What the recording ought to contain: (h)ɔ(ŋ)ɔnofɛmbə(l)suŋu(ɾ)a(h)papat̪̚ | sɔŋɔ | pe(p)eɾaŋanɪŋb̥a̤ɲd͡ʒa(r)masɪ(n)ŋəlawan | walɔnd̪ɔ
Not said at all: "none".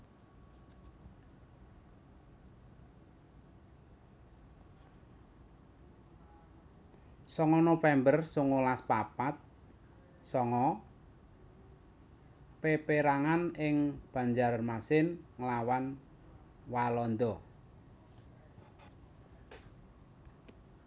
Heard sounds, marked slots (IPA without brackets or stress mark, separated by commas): s, ŋ, r, l, s, p, r, n